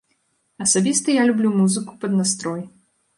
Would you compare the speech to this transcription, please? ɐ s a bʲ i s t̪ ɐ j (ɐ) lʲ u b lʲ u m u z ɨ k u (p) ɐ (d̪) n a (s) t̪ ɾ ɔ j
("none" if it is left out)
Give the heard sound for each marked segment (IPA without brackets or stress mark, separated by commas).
a, p, d̪, s